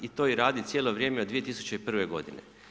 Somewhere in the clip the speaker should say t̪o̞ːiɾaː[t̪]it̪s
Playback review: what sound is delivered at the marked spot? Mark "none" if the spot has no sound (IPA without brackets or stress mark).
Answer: d̪